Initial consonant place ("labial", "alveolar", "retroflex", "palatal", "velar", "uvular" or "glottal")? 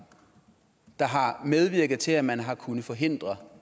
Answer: alveolar